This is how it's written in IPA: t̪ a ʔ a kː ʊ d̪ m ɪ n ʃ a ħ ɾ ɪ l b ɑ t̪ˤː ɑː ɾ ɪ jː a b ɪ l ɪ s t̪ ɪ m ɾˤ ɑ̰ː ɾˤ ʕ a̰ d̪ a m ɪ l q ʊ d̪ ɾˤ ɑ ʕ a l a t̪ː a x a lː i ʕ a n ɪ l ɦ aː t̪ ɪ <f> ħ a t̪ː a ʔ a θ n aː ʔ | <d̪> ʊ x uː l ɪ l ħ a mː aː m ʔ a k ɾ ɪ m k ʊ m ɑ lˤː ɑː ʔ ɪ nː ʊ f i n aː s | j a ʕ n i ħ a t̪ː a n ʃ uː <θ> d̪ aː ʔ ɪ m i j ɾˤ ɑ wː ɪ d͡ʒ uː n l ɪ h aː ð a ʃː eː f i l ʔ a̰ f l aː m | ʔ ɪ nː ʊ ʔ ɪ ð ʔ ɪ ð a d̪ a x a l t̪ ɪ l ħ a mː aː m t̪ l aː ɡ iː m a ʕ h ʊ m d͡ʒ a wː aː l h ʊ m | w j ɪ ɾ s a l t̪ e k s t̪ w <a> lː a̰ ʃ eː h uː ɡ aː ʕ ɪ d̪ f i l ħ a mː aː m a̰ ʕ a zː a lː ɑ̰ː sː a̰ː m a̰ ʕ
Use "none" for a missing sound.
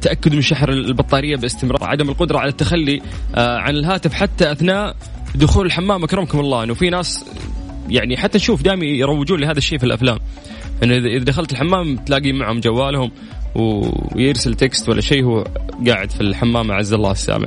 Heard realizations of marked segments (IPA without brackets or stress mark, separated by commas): f, d̪, f, a